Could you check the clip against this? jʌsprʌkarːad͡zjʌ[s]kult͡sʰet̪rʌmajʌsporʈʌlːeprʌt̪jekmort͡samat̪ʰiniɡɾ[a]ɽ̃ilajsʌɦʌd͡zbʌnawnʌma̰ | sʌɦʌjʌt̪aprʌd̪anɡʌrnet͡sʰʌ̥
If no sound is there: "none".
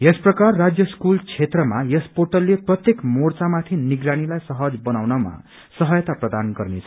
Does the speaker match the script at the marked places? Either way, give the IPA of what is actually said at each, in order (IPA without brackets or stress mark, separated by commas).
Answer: s, a